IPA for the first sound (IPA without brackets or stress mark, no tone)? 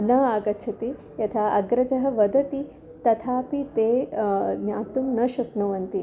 n